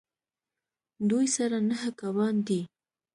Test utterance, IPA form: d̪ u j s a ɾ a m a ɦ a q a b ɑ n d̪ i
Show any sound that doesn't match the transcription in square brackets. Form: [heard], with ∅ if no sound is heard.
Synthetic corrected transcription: d̪ u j s a ɾ a [n] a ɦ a [k] a [w] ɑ n d̪ i